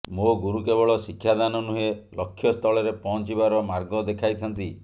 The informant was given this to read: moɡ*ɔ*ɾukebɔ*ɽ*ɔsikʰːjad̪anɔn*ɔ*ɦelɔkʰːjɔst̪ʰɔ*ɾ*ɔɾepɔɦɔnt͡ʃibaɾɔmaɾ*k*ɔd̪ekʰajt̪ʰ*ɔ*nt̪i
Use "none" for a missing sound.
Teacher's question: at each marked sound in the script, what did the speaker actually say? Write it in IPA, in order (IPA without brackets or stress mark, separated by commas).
u, ɭ, u, ɭ, ɡ, ɔ